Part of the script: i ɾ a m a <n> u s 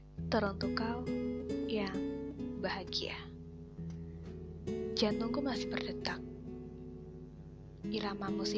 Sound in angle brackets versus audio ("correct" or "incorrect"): incorrect